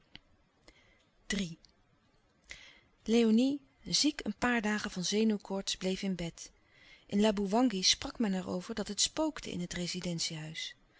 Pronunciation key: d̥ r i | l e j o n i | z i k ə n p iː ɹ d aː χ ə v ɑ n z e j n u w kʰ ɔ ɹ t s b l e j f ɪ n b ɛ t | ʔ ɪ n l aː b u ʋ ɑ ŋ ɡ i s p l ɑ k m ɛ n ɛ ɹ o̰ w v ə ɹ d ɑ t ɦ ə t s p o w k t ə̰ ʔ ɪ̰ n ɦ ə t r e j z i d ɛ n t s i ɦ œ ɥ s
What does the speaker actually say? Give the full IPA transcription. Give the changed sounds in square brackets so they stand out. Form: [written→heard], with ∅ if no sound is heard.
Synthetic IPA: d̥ r i | l e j o n i | z i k ə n p [iː→aː] ɹ d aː χ ə v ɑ n z e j n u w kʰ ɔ ɹ t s b l e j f ɪ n b ɛ t | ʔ ɪ n l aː b u ʋ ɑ ŋ ɡ i s p [l→r] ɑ k m ɛ n ɛ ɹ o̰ w v ə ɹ d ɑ t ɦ ə t s p o w k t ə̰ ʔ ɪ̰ n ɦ ə t r e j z i d ɛ n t s i ɦ œ ɥ s